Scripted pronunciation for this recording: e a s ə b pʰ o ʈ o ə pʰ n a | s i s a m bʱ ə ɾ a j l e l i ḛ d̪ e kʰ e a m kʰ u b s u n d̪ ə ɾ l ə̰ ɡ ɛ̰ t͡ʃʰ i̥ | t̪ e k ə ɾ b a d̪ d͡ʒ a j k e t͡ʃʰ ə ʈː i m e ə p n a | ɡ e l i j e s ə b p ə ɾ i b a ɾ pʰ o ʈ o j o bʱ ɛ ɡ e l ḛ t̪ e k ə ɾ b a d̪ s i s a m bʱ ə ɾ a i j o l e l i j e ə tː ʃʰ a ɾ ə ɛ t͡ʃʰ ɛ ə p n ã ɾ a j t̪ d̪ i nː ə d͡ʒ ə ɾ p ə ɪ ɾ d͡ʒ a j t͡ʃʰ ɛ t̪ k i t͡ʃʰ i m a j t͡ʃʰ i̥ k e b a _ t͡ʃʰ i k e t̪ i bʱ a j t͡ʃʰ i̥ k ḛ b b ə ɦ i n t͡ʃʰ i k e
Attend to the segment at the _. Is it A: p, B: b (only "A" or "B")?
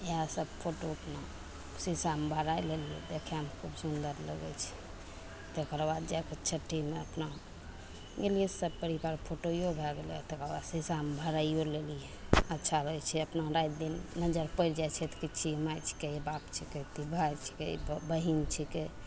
A